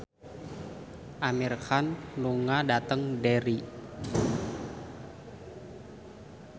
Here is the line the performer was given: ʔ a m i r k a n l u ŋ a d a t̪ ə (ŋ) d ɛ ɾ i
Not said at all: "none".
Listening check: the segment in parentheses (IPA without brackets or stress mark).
ŋ